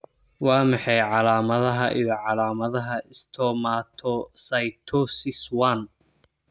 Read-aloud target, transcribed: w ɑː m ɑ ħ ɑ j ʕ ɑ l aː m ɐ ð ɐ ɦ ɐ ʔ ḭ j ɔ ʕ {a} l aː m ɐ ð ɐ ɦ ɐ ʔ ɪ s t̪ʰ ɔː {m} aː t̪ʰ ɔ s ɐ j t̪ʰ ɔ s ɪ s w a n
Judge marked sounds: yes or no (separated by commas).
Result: no, yes